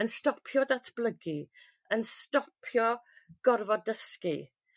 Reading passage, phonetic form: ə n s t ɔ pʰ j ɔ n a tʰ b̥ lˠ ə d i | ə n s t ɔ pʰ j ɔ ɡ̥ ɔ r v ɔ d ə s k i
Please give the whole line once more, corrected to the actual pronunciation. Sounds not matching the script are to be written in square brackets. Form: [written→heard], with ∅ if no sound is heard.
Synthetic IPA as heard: ə n s t ɔ pʰ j ɔ [n→d] a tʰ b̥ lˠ ə [d→ɡ] i | ə n s t ɔ pʰ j ɔ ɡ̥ ɔ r v ɔ d ə s k i